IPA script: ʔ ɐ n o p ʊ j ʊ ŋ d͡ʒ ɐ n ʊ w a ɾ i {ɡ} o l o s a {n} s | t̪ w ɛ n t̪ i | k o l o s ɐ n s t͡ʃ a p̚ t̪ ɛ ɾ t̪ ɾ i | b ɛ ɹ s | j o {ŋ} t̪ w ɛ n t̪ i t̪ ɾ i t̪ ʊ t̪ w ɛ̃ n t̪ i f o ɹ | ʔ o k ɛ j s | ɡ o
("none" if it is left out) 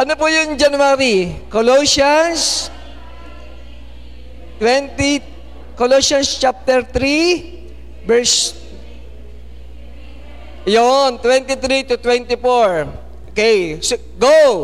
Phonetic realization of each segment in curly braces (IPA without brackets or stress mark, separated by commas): k, n, n